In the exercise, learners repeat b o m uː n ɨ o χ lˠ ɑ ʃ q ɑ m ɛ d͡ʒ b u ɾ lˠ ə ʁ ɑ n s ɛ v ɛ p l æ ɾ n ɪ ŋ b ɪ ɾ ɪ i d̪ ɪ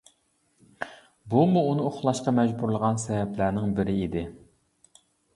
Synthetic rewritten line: b u m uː n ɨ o χ lˠ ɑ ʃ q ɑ m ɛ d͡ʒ b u ɾ lˠ ə ʁ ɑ n s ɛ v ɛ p l æ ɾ n ɪ ŋ b ɪ ɾ ɪ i d̪ ɪ

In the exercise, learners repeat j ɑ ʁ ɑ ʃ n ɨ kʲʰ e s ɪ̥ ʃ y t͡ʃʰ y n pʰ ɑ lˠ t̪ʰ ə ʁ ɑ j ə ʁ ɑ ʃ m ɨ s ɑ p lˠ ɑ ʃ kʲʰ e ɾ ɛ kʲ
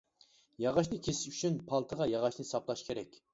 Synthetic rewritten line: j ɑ ʁ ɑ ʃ n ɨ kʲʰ e s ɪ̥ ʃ y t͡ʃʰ y n pʰ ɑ lˠ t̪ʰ ə ʁ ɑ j ɑ ʁ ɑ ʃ n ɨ s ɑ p lˠ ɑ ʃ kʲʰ e ɾ ɛ kʲ

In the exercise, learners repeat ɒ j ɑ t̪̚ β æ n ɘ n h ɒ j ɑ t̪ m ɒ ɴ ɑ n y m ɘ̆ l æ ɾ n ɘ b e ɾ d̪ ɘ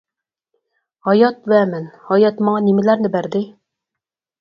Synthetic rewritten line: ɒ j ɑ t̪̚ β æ m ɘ n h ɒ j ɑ t̪ m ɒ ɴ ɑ n i m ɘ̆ l æ ɾ n ɘ b æ ɾ d̪ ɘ

